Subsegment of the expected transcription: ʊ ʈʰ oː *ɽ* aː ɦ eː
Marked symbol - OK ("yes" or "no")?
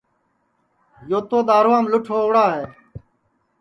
yes